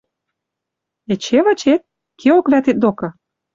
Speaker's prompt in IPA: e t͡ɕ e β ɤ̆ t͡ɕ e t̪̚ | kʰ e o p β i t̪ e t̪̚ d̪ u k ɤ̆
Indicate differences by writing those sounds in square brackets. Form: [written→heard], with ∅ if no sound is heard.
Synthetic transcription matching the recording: e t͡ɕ e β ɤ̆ t͡ɕ e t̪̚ | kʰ e o [p→k] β [i→æ] t̪ e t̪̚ d̪ [u→o] k ɤ̆